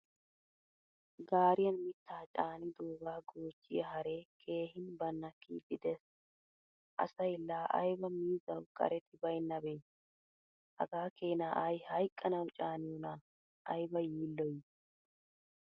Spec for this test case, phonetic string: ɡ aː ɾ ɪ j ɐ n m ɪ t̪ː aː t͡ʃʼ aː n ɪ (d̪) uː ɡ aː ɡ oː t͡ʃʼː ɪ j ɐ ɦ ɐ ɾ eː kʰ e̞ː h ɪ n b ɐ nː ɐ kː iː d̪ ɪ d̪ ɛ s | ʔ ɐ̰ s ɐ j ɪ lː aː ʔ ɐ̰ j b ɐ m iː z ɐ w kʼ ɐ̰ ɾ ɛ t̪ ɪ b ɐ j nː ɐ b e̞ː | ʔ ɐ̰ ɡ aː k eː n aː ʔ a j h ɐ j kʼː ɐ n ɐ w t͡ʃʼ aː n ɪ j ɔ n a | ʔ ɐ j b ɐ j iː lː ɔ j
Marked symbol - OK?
yes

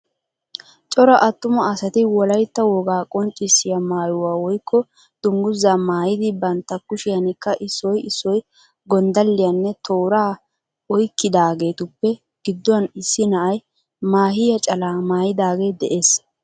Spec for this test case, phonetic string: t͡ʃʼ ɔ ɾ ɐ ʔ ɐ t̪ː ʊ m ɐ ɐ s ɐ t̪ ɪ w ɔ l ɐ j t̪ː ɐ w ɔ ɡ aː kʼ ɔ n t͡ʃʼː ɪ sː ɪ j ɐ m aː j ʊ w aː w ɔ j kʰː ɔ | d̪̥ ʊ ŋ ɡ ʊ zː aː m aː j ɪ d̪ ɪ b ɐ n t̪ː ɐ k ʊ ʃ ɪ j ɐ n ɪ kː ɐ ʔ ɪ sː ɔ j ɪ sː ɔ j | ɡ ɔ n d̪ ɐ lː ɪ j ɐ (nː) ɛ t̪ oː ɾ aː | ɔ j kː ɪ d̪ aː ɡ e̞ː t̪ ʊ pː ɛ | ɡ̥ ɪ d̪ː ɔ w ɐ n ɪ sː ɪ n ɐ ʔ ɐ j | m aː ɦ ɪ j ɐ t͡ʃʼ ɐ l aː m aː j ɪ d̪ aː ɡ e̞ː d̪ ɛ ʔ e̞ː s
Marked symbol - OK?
yes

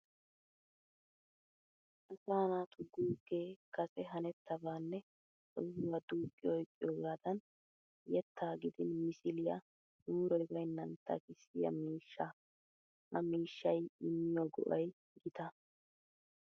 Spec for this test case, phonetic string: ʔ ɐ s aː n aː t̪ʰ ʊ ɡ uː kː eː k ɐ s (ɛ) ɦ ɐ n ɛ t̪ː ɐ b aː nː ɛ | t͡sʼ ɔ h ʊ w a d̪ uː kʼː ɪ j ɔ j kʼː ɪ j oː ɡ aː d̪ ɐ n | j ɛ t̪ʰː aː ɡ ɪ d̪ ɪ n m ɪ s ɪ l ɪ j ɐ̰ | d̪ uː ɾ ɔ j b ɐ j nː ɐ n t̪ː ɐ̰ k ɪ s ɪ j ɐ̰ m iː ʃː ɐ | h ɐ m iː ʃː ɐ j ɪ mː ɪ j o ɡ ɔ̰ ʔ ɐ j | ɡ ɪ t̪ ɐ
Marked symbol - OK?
yes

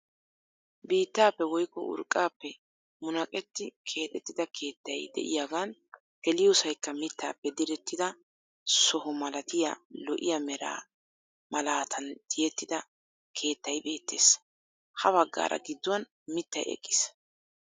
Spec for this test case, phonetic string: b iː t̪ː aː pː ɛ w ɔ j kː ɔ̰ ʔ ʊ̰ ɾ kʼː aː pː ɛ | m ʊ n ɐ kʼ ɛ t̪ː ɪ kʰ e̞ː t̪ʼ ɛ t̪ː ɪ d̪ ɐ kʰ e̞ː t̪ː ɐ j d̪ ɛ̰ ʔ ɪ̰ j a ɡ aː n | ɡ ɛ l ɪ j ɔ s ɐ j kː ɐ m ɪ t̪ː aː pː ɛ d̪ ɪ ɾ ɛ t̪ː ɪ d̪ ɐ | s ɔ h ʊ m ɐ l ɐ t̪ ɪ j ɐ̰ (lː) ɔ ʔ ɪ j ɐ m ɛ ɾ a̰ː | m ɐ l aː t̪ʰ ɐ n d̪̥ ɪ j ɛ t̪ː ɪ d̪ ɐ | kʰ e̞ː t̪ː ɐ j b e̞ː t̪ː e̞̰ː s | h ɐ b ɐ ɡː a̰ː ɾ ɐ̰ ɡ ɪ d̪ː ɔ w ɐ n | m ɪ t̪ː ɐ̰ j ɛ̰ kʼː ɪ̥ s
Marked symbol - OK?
no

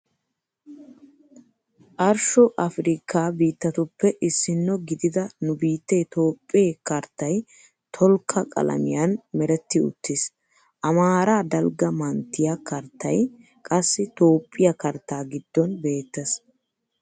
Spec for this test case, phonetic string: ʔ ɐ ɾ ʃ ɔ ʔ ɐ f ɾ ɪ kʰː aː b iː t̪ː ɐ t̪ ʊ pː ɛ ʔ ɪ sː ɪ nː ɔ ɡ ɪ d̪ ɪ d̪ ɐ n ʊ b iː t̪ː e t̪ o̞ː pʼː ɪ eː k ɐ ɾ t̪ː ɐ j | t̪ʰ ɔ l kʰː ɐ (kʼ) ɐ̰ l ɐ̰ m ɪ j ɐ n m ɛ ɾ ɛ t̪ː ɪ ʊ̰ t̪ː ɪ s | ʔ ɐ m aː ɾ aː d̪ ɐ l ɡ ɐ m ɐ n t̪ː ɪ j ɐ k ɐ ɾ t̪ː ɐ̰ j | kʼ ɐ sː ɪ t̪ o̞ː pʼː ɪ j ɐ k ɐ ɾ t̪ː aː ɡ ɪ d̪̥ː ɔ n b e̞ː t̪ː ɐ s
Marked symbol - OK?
yes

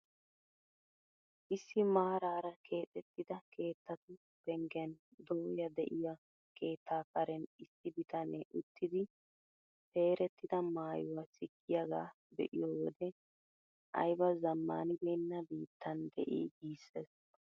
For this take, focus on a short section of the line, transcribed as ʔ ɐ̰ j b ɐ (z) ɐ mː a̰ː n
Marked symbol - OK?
yes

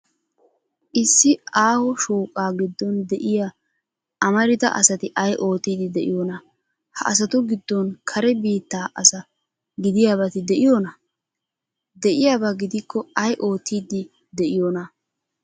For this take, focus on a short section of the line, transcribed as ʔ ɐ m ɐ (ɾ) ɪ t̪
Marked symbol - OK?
yes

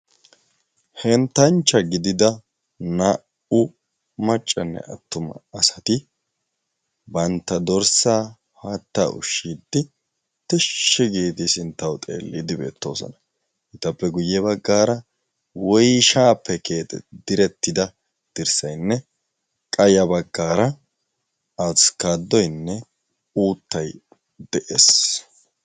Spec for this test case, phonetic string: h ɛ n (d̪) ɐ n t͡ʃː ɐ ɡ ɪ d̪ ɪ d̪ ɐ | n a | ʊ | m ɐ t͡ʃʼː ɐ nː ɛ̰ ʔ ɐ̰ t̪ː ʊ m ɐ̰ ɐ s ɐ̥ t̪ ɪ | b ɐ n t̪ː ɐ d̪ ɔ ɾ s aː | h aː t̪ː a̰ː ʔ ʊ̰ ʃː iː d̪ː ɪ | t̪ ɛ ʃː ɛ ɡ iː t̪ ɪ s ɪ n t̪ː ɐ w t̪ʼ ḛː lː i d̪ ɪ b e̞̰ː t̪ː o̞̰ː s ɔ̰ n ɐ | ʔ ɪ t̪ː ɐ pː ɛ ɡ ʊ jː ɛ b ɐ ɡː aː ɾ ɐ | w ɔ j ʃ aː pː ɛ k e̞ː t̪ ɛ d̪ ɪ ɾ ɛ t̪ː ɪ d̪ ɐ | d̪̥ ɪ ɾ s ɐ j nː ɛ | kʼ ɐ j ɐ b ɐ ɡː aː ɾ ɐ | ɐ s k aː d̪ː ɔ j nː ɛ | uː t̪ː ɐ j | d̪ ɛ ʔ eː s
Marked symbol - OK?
no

